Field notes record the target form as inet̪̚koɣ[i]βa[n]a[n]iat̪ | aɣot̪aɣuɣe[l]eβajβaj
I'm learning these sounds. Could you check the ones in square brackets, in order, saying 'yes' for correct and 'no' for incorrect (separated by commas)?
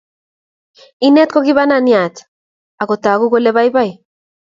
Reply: yes, yes, yes, yes